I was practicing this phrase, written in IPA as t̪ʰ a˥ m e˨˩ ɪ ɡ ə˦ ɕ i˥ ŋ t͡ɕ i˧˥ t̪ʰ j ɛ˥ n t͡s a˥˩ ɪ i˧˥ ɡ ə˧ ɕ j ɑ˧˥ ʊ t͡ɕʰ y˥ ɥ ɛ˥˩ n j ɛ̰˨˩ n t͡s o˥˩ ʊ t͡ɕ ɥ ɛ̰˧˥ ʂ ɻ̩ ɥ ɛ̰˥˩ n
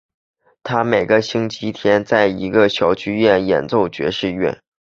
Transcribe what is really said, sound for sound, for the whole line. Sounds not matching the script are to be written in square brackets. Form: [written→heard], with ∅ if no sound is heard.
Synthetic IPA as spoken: t̪ʰ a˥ m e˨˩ ɪ ɡ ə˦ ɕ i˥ ŋ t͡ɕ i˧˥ t̪ʰ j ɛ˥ n t͡s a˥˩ ɪ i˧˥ ɡ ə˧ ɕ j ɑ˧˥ ʊ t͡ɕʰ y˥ ɥ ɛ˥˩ n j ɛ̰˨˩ n t͡s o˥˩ ʊ t͡ɕ ɥ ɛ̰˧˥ ʂ ɻ̩ ɥ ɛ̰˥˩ n